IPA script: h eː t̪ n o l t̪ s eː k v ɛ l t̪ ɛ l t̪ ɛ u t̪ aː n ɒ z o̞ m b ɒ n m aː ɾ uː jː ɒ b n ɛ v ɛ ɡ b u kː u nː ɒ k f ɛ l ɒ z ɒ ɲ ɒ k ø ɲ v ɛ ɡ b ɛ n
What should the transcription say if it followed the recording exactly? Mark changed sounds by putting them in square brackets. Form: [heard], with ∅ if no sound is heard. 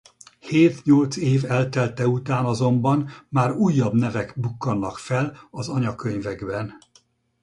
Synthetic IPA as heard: h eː t̪ [ɲ] o l t̪ s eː [∅] v ɛ l t̪ ɛ l t̪ ɛ u t̪ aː n ɒ z o̞ m b ɒ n m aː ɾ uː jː ɒ b n ɛ v ɛ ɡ b u kː [ɒ] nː ɒ k f ɛ l ɒ z ɒ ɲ ɒ k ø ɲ v ɛ ɡ b ɛ n